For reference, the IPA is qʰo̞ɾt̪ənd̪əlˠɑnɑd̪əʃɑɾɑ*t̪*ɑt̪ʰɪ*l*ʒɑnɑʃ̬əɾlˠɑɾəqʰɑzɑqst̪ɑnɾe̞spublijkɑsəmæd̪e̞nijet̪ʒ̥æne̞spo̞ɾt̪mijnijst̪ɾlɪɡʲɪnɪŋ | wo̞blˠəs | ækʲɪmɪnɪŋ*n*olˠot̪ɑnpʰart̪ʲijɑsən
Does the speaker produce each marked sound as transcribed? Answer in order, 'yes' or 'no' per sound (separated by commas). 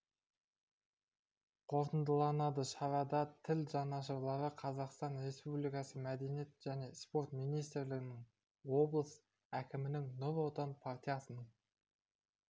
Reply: no, yes, yes